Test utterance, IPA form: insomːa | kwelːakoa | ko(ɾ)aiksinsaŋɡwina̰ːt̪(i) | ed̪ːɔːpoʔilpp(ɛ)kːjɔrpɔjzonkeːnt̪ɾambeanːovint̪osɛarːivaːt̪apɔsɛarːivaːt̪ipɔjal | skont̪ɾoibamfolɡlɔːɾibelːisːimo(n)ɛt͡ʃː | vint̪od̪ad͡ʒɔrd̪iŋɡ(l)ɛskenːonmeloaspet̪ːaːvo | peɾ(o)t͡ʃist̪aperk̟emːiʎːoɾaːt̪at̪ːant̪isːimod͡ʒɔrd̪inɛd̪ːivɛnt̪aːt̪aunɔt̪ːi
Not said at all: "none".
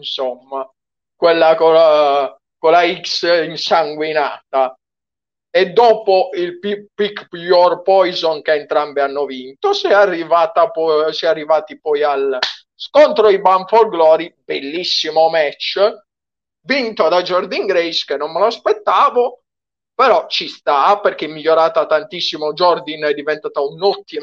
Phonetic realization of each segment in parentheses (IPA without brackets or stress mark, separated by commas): l, a, i, m, ɾ, ɔ